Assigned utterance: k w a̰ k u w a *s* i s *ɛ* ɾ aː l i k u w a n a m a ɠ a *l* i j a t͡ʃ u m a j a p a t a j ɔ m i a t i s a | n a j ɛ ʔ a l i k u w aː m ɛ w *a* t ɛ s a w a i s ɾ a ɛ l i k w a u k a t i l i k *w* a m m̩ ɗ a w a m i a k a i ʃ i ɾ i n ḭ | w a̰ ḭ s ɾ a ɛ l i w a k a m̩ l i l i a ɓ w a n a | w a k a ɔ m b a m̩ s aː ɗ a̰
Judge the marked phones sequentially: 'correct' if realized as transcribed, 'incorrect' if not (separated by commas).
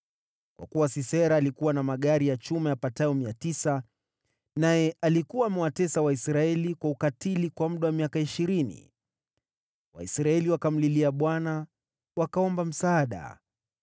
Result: correct, correct, incorrect, correct, correct